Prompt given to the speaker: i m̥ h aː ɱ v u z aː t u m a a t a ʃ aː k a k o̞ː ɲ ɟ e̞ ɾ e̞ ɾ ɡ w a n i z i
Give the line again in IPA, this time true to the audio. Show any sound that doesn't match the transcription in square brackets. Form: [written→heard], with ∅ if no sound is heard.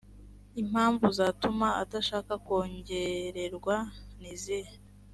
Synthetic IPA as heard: i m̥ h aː ɱ v u z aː t u m a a t a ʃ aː k a k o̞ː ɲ ɟ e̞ ɾ e̞ ɾ ɡ w a n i z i